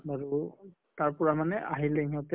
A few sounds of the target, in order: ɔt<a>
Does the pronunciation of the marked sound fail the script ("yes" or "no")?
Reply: yes